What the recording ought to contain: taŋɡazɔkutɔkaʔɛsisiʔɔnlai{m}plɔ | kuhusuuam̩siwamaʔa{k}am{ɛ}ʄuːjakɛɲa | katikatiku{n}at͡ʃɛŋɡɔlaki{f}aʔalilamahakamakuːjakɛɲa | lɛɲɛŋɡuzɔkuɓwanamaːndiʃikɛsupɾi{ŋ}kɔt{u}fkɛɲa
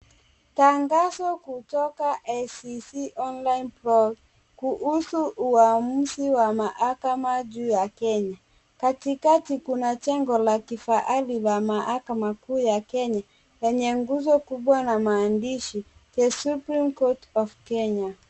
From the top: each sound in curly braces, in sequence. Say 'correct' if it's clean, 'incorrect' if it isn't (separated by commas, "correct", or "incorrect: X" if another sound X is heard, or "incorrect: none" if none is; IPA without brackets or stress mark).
incorrect: n, correct, incorrect: a, correct, correct, incorrect: m, incorrect: ɔ